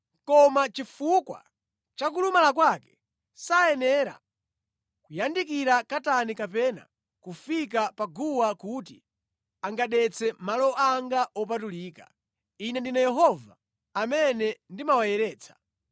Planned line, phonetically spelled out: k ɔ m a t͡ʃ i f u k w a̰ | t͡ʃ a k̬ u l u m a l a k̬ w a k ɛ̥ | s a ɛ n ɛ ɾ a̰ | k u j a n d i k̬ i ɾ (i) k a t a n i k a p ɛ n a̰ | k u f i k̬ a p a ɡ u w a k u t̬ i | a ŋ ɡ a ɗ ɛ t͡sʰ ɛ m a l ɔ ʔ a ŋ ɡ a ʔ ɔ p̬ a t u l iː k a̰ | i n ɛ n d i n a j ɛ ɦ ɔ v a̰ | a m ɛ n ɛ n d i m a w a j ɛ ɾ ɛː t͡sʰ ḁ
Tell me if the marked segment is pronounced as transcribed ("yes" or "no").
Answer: no